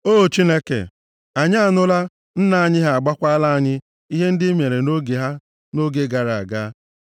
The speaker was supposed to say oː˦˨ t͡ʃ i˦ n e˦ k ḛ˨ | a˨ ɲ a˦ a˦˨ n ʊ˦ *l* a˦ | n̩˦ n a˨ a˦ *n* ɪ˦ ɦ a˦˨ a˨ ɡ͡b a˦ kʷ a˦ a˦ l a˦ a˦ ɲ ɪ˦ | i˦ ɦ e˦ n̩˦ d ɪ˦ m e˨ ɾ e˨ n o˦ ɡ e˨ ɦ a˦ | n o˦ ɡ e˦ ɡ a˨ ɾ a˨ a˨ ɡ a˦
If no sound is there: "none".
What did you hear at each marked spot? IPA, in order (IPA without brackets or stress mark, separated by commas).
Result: l, ɲ